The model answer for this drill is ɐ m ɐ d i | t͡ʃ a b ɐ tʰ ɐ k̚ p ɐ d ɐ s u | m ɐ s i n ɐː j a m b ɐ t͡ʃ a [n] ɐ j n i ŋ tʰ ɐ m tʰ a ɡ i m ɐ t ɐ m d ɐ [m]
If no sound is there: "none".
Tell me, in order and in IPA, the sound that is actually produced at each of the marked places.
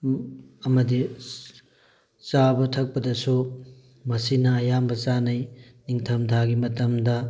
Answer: n, none

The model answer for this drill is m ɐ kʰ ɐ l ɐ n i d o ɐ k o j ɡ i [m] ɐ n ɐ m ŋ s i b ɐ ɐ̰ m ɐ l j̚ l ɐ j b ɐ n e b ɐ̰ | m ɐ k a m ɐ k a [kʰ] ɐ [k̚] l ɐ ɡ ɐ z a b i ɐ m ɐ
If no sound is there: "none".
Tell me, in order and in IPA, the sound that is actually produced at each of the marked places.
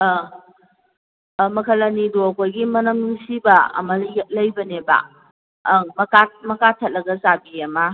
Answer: m, tʰ, t̚

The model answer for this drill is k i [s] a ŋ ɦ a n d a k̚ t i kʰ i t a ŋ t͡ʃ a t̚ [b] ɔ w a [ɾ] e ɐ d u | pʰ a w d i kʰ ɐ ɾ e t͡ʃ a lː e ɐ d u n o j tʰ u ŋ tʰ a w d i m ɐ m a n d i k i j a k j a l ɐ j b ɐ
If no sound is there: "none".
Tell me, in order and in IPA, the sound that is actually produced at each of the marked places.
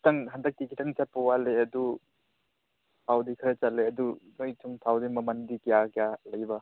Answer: t, p, l

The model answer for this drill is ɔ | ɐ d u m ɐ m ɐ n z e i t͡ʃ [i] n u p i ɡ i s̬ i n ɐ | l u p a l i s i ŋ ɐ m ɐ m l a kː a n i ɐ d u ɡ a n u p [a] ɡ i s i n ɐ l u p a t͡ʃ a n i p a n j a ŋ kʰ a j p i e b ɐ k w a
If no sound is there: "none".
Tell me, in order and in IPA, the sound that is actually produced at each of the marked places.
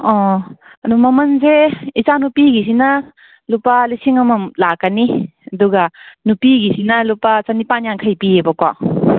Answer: a, i

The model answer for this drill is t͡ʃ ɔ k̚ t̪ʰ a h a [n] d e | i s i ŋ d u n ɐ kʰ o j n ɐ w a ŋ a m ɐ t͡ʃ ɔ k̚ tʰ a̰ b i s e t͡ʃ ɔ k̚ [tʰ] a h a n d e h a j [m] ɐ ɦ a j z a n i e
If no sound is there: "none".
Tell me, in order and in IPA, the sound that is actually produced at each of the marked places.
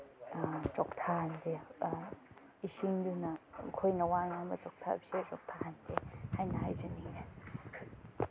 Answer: n, tʰ, n

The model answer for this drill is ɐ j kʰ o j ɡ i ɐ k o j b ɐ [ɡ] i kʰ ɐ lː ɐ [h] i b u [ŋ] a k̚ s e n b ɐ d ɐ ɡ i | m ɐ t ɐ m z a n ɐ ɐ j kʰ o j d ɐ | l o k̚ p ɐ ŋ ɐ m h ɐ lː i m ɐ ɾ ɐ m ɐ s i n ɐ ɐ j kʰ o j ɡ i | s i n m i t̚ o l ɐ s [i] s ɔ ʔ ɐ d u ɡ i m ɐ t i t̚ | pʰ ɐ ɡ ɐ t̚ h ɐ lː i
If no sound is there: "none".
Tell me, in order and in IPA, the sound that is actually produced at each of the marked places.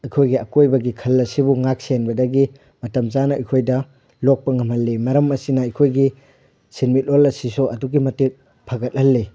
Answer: ɡ, s, ŋ, i

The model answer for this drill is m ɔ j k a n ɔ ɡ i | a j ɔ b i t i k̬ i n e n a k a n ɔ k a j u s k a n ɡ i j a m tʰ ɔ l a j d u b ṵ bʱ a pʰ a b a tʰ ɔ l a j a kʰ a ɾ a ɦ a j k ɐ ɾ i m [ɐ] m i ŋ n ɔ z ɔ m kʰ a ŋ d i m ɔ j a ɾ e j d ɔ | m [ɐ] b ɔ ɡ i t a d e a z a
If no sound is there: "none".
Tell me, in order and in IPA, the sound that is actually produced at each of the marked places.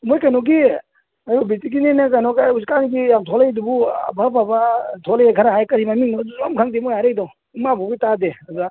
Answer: a, a

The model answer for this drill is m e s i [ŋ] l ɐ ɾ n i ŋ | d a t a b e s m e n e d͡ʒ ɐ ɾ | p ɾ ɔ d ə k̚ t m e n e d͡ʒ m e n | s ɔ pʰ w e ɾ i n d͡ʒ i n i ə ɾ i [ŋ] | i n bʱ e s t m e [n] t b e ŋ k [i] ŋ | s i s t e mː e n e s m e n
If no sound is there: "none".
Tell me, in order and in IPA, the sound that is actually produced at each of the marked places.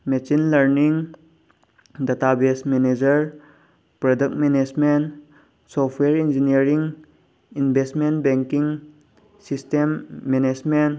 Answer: n, ŋ, n, i

